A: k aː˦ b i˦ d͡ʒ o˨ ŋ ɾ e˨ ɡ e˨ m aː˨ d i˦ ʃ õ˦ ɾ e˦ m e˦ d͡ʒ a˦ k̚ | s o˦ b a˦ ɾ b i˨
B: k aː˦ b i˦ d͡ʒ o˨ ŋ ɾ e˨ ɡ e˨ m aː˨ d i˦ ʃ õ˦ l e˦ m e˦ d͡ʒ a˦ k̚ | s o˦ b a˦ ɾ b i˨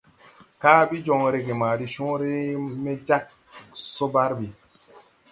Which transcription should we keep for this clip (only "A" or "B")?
A